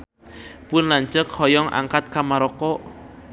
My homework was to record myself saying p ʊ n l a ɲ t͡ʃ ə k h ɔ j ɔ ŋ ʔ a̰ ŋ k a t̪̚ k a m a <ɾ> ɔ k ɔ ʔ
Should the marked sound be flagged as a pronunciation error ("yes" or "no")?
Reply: no